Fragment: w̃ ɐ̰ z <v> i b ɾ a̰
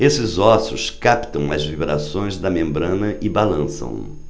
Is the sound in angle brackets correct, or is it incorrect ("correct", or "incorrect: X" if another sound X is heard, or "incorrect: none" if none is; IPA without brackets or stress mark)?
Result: correct